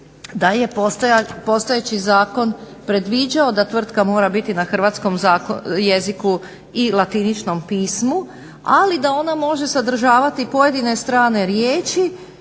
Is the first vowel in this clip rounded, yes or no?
no